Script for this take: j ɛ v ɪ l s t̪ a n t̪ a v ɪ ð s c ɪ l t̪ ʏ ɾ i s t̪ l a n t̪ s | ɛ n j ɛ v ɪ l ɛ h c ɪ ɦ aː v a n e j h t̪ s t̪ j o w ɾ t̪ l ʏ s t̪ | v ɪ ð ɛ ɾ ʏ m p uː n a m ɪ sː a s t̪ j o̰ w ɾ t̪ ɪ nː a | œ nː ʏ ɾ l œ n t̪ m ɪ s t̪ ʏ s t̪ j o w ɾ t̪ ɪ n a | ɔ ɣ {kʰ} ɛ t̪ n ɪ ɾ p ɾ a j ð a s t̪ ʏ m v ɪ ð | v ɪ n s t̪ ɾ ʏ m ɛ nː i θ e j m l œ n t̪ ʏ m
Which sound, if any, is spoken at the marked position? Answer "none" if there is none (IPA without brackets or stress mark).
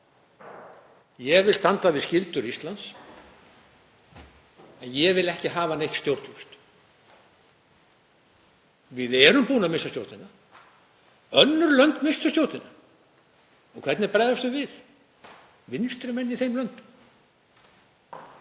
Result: kʰ